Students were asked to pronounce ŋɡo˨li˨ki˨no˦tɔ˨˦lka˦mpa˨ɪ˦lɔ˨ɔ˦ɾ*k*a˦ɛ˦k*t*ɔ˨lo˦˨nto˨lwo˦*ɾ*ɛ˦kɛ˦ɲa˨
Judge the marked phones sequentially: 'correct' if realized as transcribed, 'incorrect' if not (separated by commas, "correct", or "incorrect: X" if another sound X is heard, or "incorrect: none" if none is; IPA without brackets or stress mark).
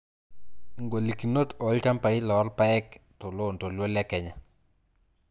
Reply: incorrect: p, correct, incorrect: l